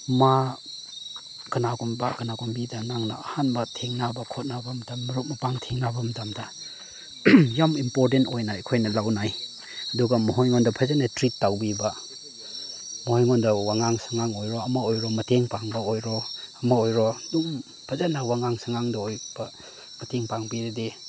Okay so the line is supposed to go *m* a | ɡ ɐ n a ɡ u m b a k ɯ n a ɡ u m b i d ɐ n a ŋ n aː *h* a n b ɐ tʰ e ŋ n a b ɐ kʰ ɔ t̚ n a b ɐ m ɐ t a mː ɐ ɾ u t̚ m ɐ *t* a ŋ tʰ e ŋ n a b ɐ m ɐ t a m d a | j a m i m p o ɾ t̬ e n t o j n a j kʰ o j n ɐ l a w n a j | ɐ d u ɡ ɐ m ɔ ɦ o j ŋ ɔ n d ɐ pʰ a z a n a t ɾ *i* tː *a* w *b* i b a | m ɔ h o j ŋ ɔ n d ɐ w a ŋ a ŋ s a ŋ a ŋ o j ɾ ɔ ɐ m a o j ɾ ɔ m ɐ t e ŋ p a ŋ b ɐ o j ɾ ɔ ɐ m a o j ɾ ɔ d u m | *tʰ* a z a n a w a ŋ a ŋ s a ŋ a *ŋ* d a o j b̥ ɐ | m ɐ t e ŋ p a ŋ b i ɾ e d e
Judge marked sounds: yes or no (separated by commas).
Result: yes, yes, no, yes, yes, yes, no, yes